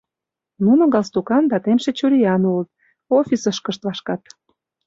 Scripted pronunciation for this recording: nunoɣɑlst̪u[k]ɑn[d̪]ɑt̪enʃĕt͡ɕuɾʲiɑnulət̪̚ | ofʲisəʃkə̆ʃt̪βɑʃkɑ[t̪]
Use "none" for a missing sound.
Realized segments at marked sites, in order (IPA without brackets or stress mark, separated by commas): k, d̪, t̪